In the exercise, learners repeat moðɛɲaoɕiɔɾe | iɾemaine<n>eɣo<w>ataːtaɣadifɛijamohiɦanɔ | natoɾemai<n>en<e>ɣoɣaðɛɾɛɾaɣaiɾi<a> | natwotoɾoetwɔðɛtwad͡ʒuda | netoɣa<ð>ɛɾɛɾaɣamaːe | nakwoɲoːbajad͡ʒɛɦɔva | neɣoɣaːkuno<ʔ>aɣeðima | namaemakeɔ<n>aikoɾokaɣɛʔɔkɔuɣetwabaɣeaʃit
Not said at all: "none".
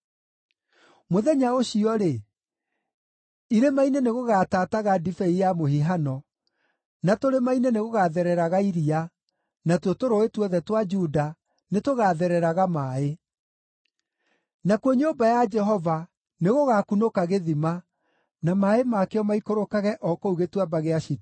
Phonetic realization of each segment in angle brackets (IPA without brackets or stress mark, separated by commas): n, ɣ, n, e, a, ð, k, m